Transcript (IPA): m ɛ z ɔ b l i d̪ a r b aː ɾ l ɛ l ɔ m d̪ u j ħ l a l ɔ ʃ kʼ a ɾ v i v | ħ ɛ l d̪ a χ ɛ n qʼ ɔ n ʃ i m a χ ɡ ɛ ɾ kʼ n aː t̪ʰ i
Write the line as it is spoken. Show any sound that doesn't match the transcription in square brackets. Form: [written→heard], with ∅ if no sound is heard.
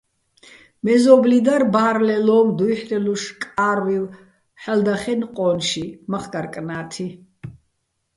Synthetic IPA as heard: m ɛ z ɔ b l i d̪ a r b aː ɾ l ɛ l ɔ m d̪ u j ħ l [a→ɛ] l [ɔ→u] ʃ kʼ a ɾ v i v | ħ ɛ l d̪ a χ ɛ n qʼ ɔ n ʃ i m a χ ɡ [ɛ→a] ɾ kʼ n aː t̪ʰ i